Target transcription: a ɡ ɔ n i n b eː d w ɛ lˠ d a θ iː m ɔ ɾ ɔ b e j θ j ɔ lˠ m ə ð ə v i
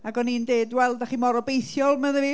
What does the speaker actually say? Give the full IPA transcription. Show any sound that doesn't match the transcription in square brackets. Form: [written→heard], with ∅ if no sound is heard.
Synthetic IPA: a ɡ ɔ n i n [b→d] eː d w ɛ lˠ d a [θ→χ] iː m ɔ ɾ ɔ b e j θ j ɔ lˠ m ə ð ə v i